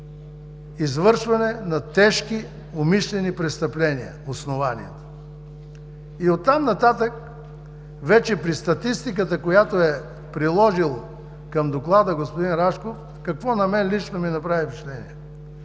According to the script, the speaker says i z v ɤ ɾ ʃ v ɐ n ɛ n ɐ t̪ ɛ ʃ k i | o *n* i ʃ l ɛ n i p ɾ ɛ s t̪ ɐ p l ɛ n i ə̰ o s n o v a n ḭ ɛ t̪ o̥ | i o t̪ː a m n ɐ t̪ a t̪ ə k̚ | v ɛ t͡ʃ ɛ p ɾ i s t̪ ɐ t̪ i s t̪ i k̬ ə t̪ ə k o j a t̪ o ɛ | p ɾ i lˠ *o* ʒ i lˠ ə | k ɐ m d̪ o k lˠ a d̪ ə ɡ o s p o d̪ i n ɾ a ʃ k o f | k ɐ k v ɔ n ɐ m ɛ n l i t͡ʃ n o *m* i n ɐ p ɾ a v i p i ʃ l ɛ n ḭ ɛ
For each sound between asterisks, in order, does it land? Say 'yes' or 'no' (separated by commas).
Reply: no, no, yes